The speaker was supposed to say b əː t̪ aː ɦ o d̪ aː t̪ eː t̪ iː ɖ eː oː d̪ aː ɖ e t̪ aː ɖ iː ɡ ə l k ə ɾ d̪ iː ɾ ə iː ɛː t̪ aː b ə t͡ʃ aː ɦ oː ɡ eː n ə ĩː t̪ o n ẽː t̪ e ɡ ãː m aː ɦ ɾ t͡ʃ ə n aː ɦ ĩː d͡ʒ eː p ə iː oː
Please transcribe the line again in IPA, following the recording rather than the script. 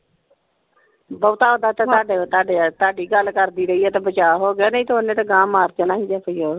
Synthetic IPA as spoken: b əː t̪ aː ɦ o d̪ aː t̪ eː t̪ aː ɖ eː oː t̪ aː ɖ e t̪ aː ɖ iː ɡ ə l k ə ɾ d̪ iː ɾ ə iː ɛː t̪ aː b ə t͡ʃ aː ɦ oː ɡ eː n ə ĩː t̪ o n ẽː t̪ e ɡ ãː m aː ɾ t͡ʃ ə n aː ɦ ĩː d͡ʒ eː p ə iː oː